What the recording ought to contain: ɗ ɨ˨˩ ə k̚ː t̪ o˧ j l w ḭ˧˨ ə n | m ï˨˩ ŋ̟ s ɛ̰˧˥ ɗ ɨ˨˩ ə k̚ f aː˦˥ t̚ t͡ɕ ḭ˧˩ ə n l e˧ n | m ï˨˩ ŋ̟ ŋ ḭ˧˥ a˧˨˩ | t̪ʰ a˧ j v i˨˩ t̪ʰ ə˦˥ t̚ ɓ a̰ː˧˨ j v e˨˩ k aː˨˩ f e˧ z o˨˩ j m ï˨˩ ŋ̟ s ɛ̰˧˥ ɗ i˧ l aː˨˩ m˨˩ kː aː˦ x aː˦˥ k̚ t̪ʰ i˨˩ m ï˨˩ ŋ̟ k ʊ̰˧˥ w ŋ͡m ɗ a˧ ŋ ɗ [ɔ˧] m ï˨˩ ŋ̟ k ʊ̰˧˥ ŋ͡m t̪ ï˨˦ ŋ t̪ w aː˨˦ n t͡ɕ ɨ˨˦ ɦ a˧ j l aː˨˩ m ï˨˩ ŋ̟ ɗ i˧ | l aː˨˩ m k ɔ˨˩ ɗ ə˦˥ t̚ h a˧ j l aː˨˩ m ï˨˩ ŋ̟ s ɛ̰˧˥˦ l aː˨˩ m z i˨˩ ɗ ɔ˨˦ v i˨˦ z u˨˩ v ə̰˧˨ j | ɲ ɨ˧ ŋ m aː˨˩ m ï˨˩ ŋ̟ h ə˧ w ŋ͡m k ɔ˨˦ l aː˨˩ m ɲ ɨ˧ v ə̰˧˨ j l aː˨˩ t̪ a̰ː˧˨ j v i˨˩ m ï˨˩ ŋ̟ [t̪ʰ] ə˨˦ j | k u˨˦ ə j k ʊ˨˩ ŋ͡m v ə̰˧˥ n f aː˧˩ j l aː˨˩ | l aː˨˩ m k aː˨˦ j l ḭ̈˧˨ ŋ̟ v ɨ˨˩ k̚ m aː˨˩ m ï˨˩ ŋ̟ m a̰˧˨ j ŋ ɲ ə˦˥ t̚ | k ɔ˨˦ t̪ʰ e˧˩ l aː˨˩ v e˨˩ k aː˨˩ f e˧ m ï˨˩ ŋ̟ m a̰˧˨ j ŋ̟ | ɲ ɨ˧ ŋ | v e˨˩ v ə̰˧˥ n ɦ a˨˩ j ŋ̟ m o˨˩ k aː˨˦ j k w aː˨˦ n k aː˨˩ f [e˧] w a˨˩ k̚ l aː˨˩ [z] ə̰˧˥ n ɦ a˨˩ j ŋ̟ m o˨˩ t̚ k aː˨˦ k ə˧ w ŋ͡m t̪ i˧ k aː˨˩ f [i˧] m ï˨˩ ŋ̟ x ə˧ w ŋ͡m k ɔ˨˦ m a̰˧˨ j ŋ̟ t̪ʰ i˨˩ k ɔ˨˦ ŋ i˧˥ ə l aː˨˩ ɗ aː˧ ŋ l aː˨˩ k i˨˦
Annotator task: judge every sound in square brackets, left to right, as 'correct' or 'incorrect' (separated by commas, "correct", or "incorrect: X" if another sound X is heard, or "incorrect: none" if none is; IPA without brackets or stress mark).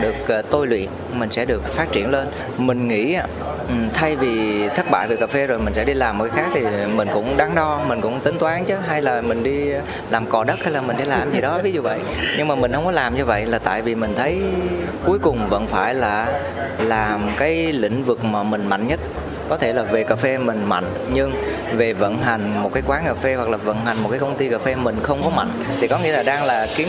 correct, correct, correct, incorrect: v, incorrect: e˧